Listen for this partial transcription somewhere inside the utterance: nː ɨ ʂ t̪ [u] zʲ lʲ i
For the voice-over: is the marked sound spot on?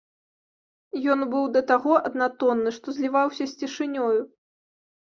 no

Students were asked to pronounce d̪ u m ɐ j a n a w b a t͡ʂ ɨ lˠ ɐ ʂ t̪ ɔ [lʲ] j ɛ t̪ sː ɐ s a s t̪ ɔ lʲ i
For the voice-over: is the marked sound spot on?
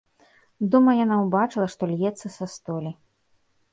yes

